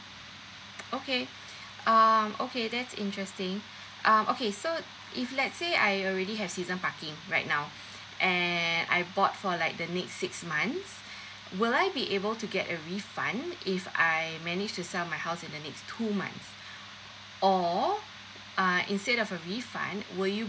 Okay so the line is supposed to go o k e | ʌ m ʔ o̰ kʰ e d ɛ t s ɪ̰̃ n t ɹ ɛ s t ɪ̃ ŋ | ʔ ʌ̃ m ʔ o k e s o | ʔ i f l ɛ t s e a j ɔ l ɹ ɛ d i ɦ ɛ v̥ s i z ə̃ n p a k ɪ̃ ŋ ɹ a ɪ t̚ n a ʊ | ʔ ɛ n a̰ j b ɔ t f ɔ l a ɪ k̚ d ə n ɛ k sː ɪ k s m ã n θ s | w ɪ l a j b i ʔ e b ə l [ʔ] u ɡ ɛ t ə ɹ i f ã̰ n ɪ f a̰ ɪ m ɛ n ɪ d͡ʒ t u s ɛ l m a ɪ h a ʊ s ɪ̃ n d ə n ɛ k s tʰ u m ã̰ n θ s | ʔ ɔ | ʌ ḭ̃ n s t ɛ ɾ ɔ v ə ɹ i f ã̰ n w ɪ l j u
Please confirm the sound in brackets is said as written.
no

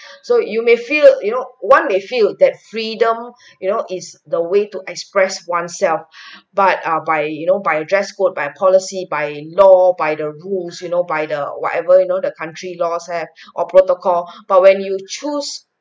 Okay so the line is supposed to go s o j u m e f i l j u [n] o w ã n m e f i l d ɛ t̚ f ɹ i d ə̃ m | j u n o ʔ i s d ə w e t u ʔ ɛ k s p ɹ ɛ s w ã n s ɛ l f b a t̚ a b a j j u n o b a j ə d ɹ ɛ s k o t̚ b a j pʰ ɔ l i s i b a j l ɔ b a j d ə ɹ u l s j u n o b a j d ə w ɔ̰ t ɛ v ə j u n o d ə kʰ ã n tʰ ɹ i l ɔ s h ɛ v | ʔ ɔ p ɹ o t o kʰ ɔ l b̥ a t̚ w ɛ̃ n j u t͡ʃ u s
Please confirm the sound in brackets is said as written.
yes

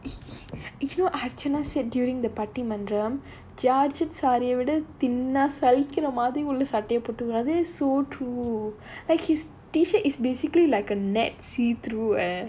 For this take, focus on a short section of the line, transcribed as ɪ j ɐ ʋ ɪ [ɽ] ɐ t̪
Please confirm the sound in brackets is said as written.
yes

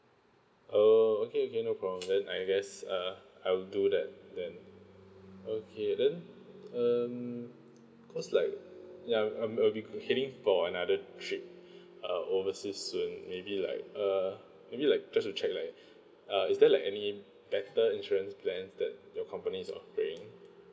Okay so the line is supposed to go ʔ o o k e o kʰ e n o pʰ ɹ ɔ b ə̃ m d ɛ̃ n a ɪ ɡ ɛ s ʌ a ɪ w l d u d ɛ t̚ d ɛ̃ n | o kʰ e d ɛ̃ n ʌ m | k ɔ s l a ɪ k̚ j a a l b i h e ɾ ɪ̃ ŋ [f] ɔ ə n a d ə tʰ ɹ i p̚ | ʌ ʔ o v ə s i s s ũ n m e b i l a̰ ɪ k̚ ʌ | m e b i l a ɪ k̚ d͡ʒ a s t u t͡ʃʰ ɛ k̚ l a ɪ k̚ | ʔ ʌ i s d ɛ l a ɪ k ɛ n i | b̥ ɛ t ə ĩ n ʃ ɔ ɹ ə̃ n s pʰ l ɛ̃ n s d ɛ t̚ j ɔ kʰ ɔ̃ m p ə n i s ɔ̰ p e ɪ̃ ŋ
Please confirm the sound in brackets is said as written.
yes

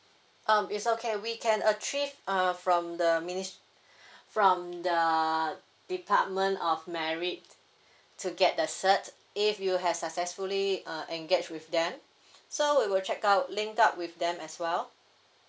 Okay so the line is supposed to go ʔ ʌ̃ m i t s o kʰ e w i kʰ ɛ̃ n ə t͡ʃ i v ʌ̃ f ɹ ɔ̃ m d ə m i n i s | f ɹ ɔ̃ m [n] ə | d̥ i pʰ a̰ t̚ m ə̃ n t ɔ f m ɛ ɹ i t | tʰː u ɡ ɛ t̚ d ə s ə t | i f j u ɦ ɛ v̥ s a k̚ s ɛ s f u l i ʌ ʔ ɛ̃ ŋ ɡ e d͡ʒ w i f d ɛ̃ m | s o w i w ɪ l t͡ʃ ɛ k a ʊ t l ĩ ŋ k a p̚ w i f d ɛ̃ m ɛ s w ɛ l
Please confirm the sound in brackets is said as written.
no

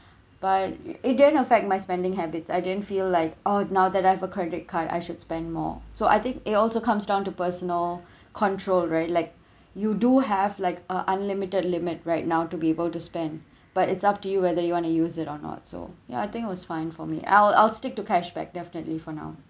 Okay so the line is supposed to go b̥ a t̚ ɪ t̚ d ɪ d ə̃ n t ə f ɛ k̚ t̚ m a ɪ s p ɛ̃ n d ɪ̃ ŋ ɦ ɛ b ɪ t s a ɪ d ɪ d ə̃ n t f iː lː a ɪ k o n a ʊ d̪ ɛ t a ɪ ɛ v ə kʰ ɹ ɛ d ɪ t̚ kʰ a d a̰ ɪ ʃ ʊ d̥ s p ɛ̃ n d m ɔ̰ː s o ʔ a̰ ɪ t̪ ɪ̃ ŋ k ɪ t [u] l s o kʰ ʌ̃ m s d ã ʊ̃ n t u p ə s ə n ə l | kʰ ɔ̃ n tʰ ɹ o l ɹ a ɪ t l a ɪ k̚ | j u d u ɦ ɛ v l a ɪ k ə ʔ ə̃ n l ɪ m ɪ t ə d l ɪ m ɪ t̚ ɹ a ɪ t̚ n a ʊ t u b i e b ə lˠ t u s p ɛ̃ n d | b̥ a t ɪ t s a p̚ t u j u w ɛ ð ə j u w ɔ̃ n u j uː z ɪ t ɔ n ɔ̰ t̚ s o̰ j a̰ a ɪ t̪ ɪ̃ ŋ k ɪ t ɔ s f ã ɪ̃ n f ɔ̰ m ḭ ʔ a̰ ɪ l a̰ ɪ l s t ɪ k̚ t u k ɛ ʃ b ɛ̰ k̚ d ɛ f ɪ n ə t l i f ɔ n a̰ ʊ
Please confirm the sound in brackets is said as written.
no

